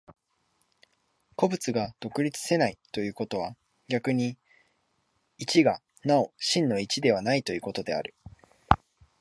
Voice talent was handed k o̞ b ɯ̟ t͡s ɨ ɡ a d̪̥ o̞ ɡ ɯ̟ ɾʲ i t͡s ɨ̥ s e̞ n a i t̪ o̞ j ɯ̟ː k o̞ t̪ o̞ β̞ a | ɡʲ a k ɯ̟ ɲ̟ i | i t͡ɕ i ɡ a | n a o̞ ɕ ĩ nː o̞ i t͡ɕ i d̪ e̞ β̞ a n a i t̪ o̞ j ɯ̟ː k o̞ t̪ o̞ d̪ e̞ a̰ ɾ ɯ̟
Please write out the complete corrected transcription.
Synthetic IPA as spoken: k o̞ b ɯ̟ t͡s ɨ ɡ a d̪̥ o̞ k ɯ̟ ɾʲ i t͡s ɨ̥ s e̞ n a i t̪ o̞ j ɯ̟ː k o̞ t̪ o̞ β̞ a | ɡʲ a k ɯ̟ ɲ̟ i | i t͡ɕ i ɡ a | n a o̞ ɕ ĩ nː o̞ i t͡ɕ i d̪ e̞ β̞ a n a i t̪ o̞ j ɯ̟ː k o̞ t̪ o̞ d̪ e̞ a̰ ɾ ɯ̟